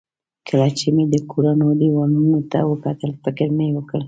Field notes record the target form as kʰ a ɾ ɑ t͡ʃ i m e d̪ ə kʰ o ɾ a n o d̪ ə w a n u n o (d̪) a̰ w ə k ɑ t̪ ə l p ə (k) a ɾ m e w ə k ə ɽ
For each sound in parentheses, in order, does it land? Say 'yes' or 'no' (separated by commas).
no, no